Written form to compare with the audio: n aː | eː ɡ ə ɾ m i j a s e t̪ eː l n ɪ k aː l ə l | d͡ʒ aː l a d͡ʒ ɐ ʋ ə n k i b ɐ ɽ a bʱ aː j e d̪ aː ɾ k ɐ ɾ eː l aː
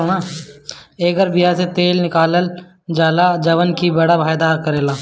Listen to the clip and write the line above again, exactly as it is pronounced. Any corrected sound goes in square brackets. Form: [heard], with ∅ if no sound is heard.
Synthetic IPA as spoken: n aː | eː ɡ ə ɾ [b] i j a s e t̪ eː l n ɪ k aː l ə l | d͡ʒ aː l a d͡ʒ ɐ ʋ ə n k i b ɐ ɽ a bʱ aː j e d̪ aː ɾ k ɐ ɾ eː l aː

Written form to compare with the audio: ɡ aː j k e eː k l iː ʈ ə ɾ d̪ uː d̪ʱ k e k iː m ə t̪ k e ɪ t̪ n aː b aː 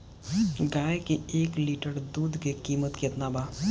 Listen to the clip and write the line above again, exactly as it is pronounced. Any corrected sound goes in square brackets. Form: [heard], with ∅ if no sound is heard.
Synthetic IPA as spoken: ɡ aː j k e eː k l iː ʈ ə ɾ d̪ uː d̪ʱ k e k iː m ə t̪ k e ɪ t̪ n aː b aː

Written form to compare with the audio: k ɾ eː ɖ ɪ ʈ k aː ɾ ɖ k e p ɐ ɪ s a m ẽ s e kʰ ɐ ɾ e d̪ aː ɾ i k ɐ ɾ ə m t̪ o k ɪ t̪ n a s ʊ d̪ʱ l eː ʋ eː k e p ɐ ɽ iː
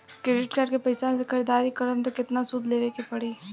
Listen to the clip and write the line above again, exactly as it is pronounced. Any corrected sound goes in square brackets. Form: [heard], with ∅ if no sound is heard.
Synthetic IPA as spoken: k ɾ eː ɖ ɪ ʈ k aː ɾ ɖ k e p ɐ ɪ s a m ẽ s e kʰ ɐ ɾ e d̪ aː ɾ i k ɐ ɾ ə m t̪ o k ɪ t̪ n a s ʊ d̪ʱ l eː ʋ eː k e p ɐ ɽ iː

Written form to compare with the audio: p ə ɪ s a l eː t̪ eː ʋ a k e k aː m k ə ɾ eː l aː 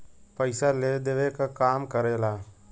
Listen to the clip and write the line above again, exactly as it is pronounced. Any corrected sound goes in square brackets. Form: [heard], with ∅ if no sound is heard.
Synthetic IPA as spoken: p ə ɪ s a l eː [d̪] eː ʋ [e] k [a] k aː m k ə ɾ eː l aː

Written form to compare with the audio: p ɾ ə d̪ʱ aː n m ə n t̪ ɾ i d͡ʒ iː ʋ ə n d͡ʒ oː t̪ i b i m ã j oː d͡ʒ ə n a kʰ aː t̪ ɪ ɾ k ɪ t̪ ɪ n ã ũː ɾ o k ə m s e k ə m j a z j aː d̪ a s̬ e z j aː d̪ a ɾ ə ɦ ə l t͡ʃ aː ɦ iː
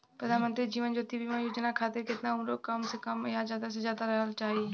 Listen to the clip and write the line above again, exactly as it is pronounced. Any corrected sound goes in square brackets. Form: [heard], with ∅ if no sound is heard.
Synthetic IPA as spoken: p ɾ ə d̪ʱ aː n m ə n t̪ ɾ i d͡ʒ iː ʋ ə n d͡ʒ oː t̪ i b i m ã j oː d͡ʒ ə n a kʰ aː t̪ ɪ ɾ k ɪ t̪ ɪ n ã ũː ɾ o k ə m s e k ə m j a z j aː d̪ a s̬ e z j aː d̪ a ɾ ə ɦ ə l t͡ʃ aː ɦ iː

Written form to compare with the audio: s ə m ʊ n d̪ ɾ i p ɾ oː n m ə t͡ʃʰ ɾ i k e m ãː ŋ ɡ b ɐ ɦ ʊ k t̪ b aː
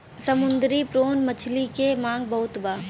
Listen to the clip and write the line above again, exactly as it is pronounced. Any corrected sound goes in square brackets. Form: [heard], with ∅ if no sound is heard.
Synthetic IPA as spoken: s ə m ʊ n d̪ ɾ i p ɾ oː n m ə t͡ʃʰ [l] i k e m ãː ŋ ɡ b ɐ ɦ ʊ [∅] t̪ b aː

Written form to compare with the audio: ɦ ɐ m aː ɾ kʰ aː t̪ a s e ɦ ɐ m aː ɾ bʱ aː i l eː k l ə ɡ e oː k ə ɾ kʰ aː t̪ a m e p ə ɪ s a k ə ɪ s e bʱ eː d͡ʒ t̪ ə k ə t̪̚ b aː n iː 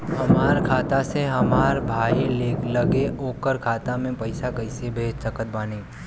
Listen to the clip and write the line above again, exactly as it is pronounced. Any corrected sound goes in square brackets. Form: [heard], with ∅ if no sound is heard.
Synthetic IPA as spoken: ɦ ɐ m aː ɾ kʰ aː t̪ a s e ɦ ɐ m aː ɾ bʱ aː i l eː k l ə ɡ e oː k ə ɾ kʰ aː t̪ a m [ẽ] p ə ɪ s a k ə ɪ s e bʱ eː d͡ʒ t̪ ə k ə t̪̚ b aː n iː

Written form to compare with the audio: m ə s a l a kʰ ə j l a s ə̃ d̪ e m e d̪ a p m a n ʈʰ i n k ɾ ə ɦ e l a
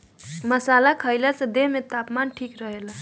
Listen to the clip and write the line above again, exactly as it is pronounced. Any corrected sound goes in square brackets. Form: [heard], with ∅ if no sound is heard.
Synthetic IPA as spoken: m ə s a l a kʰ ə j l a s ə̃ d̪ e m e [t̪] a p m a n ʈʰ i [∅] k ɾ ə ɦ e l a

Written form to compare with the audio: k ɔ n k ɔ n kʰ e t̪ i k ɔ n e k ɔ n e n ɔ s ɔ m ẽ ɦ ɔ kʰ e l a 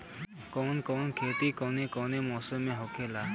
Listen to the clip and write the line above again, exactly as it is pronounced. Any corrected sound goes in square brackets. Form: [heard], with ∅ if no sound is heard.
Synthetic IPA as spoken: k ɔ n k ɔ n kʰ e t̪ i k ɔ n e k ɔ n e [m] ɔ s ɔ m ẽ ɦ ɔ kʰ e l a

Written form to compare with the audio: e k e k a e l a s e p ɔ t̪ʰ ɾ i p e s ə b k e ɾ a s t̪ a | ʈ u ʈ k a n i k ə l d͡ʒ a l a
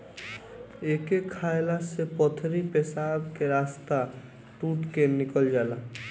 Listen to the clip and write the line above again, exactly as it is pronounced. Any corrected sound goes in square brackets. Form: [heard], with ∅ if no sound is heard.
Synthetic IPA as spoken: e k e [kʰ] a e l a s e p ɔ t̪ʰ ɾ i p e s [a] b k e ɾ a s t̪ a | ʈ u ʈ k [e] n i k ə l d͡ʒ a l a

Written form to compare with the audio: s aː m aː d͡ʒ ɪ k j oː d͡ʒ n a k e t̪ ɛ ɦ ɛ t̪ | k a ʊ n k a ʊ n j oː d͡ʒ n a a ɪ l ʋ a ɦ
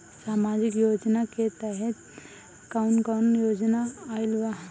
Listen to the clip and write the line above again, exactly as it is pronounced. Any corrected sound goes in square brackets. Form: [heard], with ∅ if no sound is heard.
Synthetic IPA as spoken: s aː m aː d͡ʒ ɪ k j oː d͡ʒ n a k e t̪ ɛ ɦ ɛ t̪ | k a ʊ n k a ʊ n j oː d͡ʒ n a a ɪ l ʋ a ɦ

